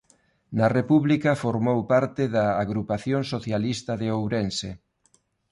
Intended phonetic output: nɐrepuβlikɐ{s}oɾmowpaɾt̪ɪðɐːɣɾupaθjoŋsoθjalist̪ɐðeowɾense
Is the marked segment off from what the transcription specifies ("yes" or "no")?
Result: yes